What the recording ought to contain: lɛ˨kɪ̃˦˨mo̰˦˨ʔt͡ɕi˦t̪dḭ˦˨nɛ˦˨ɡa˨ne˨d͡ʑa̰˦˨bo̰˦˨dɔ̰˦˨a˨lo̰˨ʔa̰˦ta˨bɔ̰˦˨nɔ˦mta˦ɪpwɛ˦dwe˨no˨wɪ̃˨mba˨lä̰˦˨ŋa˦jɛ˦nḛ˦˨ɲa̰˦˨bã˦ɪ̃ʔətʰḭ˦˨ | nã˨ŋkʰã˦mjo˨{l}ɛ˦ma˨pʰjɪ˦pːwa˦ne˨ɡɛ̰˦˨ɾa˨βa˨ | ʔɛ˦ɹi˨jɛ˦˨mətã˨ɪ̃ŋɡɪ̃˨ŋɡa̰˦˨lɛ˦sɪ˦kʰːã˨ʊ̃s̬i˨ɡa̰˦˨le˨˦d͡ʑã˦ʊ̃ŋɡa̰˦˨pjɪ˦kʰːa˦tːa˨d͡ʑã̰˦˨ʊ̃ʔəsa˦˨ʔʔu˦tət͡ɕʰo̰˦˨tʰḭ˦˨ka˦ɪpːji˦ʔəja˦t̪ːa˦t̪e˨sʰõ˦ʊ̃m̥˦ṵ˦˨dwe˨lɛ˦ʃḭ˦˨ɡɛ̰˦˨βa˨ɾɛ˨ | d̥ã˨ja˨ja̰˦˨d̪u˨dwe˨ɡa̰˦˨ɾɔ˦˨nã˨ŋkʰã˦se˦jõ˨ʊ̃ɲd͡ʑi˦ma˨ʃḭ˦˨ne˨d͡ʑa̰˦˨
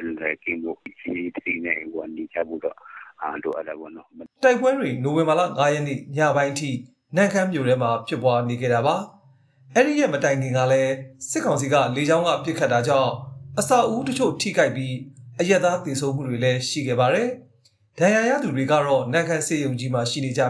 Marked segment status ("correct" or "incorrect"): incorrect